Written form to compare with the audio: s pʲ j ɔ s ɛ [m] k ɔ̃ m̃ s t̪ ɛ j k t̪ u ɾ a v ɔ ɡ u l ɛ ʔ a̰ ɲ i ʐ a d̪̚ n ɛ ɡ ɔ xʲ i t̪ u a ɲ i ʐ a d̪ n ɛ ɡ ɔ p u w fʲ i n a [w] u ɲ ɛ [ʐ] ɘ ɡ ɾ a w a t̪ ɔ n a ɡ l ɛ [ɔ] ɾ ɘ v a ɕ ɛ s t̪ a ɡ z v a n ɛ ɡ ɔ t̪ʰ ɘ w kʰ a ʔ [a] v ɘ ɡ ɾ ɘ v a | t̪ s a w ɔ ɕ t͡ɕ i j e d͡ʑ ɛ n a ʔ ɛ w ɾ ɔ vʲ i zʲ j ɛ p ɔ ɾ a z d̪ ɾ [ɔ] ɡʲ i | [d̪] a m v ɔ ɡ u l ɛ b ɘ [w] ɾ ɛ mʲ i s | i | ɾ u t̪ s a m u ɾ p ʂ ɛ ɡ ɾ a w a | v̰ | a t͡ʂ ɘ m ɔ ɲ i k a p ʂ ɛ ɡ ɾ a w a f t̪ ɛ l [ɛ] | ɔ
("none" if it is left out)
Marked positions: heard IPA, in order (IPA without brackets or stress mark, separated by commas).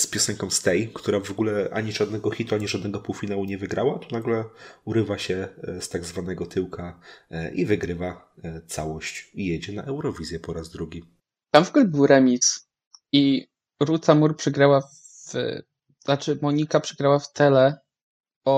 ŋ, w, v, u, i, u, t̪, w, ɛ